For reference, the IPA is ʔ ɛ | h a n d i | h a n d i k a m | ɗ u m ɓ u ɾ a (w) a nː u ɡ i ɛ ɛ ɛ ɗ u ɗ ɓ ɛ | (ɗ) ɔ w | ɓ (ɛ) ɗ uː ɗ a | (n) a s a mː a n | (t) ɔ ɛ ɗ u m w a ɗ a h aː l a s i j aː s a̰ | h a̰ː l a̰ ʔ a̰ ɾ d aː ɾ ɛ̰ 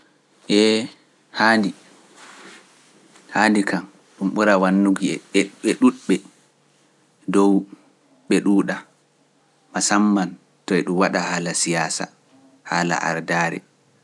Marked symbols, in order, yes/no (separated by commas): yes, no, yes, no, yes